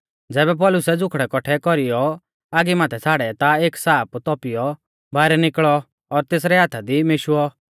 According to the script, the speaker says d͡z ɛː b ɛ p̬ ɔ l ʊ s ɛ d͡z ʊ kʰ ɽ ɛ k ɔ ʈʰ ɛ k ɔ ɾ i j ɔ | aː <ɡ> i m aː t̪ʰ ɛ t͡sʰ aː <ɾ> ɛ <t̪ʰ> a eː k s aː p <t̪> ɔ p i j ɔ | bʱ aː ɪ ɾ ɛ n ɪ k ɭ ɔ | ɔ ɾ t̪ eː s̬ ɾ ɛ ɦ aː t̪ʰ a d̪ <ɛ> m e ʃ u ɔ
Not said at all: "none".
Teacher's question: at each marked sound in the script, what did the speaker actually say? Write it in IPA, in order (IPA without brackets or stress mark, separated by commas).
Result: ɡ, ɽ, t̪, t̪, i